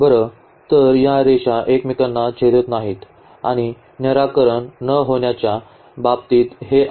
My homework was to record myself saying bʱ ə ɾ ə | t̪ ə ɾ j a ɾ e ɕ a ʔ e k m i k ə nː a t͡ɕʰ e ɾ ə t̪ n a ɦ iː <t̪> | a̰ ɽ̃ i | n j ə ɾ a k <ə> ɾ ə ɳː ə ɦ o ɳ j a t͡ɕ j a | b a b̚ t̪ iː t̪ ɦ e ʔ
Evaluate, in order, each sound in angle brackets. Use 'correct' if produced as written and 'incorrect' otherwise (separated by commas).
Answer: correct, correct